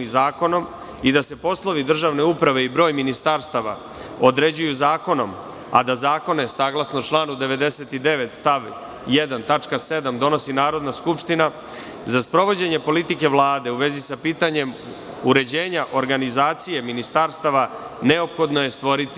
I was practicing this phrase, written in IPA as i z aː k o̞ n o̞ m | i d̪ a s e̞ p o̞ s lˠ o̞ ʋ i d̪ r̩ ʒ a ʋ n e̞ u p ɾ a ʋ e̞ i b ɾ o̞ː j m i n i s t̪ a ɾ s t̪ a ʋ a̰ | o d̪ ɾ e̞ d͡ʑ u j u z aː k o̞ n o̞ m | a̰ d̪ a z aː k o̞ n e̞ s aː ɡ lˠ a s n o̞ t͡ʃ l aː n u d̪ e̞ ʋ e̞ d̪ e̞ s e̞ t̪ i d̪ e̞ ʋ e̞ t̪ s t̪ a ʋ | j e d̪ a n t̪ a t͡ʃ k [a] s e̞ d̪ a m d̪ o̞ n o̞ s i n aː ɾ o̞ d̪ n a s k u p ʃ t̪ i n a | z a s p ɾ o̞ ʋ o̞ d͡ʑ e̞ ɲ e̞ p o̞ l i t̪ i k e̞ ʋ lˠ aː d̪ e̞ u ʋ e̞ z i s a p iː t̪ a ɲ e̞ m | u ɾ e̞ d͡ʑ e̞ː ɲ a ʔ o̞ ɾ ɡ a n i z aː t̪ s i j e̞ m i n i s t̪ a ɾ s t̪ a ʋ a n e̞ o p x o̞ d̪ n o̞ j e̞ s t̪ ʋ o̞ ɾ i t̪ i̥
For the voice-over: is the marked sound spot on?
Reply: yes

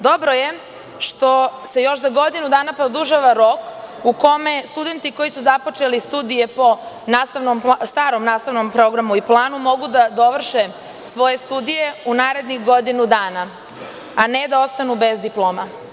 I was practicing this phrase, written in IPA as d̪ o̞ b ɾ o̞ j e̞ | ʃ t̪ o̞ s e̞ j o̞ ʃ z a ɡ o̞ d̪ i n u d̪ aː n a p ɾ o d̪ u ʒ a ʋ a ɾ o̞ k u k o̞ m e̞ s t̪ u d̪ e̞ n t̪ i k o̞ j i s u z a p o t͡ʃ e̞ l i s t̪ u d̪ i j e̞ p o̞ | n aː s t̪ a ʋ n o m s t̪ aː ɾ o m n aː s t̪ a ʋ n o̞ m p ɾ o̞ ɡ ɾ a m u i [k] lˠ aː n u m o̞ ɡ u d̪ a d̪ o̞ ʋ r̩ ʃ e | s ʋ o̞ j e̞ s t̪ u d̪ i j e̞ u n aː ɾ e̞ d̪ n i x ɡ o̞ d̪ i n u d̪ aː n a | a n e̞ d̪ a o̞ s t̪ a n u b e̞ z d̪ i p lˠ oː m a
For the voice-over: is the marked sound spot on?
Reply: no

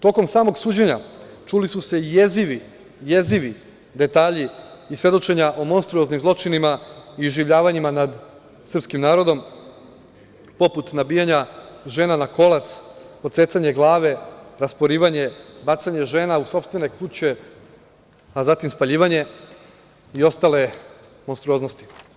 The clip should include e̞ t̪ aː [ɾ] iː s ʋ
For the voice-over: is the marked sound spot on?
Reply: no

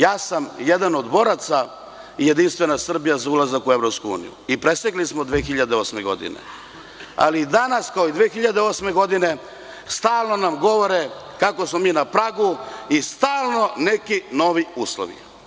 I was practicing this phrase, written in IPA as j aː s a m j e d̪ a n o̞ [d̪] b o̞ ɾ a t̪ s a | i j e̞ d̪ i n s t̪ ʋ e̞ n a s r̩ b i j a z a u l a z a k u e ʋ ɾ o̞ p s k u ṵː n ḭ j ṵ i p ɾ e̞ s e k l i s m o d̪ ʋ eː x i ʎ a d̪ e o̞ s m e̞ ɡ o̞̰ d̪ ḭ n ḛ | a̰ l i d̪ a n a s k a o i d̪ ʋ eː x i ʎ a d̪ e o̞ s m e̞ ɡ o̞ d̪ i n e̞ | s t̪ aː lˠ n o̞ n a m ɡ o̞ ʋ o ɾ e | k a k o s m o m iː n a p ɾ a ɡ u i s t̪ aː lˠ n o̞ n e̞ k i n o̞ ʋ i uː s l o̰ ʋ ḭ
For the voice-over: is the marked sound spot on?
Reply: yes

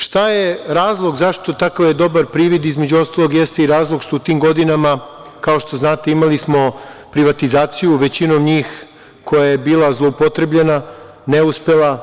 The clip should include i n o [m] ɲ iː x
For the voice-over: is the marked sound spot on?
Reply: yes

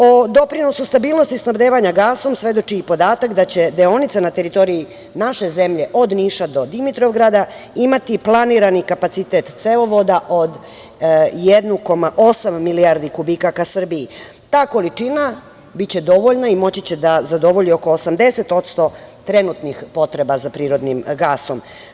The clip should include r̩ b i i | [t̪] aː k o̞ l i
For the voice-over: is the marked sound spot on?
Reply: yes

